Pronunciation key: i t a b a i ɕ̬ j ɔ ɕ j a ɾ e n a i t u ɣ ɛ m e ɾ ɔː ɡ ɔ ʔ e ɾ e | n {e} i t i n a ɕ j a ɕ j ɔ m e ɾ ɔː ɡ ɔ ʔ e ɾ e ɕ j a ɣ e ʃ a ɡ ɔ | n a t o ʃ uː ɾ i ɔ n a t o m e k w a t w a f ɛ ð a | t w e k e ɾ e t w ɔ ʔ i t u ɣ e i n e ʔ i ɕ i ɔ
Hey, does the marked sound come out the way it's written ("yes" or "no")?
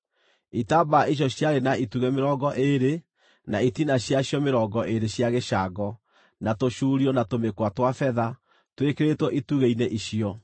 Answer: no